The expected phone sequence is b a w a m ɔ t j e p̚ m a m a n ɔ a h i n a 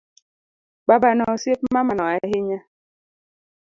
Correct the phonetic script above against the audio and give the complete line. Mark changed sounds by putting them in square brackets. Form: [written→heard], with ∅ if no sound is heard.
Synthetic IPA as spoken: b a [w→b] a [m→n] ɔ [t→s] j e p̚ m a m a n ɔ a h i [n→ɲ] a